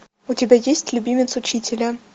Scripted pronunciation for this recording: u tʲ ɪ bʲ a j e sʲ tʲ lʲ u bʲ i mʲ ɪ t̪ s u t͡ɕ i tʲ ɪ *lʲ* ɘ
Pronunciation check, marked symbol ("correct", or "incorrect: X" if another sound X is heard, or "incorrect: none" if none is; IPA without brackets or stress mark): correct